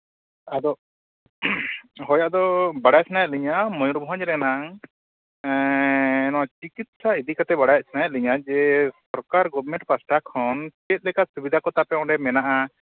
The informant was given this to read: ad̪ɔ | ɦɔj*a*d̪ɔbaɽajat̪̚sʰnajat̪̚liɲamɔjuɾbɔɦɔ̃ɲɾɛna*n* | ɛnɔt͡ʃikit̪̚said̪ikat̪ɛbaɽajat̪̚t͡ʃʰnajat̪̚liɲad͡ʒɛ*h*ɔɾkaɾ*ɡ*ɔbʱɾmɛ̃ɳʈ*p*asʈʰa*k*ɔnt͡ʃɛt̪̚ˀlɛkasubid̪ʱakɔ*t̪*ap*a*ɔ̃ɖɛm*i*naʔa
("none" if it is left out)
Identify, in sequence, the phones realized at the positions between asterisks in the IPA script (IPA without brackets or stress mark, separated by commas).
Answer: a, ŋ, s, ɡ, p, kʰ, t̪, ɛ, ɛ